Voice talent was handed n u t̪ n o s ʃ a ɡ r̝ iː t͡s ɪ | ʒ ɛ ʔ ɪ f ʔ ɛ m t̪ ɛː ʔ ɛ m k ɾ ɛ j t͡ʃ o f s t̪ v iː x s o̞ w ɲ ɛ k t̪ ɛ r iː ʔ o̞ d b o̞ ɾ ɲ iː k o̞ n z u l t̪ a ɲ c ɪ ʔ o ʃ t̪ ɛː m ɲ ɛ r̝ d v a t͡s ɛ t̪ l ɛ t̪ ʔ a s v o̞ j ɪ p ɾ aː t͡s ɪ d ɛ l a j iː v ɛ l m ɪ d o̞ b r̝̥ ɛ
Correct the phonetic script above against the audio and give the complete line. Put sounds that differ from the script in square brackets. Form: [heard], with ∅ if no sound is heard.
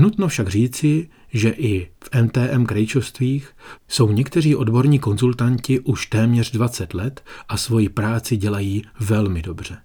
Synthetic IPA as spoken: n u t̪ n o [f] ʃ a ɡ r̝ iː t͡s ɪ | ʒ ɛ ʔ ɪ f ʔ ɛ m t̪ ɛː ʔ ɛ m k ɾ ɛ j t͡ʃ o f s t̪ v iː x s o̞ w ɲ ɛ k t̪ ɛ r iː ʔ o̞ d b o̞ ɾ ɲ iː k o̞ n z u l t̪ a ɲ c ɪ ʔ [u] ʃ t̪ ɛː m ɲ ɛ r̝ d v a t͡s ɛ t̪ l ɛ t̪ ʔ a s v o̞ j ɪ p ɾ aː t͡s ɪ [ɟ] ɛ l a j iː v ɛ l m ɪ d o̞ b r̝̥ ɛ